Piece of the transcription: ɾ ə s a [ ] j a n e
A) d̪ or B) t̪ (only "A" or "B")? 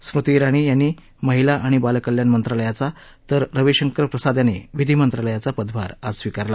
A